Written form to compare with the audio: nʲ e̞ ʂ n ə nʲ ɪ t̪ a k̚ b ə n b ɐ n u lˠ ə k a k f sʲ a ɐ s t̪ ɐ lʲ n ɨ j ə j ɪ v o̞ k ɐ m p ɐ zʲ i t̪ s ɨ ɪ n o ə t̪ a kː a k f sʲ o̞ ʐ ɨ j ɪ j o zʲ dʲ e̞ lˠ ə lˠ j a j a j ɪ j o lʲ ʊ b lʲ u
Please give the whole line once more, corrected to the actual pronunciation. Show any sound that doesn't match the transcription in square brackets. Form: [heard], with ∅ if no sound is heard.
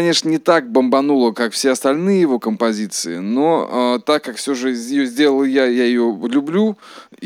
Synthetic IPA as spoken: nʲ e̞ ʂ n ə nʲ ɪ t̪ a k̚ b ə [m] b ɐ n u lˠ ə k a k f sʲ [e] ɐ s t̪ ɐ lʲ n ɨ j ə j ɪ v o̞ k [ə] m p ɐ zʲ i t̪ s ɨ ɪ n o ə t̪ a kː a k f sʲ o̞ ʐ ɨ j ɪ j o zʲ dʲ e̞ lˠ ə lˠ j a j a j ɪ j o lʲ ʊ b lʲ u